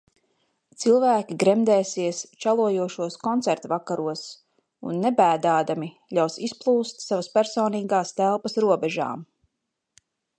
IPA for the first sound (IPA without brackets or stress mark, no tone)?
t̪